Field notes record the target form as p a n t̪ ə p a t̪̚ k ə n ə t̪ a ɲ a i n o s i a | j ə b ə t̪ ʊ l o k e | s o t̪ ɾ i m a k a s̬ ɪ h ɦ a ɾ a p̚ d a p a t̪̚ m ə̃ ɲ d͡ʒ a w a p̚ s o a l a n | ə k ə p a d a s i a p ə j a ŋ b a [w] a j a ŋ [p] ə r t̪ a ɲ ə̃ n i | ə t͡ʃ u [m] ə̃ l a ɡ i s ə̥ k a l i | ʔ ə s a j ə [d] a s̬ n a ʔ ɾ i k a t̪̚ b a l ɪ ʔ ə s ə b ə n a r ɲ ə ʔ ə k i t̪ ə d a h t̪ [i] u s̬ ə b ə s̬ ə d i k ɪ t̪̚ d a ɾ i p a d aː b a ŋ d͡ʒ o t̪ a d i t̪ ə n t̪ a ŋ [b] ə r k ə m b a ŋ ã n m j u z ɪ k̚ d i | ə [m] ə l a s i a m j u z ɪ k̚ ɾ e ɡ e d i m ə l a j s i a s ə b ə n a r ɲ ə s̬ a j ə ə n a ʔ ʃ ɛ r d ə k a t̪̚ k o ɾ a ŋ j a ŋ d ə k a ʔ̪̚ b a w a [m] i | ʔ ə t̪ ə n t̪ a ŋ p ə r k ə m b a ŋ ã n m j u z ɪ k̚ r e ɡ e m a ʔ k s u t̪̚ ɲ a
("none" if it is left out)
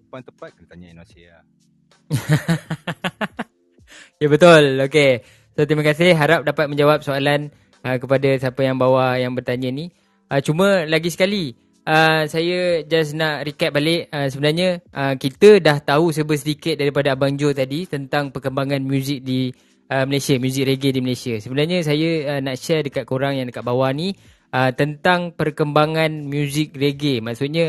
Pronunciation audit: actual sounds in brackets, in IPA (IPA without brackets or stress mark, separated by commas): w, b, m, d͡ʒ, a, p, m, n